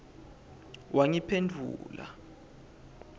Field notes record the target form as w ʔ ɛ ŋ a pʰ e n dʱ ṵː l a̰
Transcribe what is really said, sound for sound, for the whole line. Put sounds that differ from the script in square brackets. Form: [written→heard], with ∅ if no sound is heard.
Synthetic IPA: w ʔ [ɛ→a] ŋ [a→i] pʰ e n dʱ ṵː l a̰